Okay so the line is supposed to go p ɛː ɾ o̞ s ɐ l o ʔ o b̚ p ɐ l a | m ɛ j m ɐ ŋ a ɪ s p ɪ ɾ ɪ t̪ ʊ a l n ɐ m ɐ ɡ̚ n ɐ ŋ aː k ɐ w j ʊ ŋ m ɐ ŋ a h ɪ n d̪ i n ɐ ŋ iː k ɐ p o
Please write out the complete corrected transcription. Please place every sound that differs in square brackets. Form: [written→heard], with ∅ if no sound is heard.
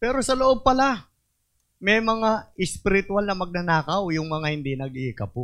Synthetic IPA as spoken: p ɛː ɾ o̞ s ɐ l o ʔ o b̚ p ɐ l a | m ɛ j m ɐ ŋ a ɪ s p ɪ ɾ ɪ t̪ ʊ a l n ɐ m ɐ ɡ̚ n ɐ [ŋ→n] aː k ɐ w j ʊ ŋ m ɐ ŋ a h ɪ n d̪ i n ɐ [ŋ→ɡ] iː k ɐ p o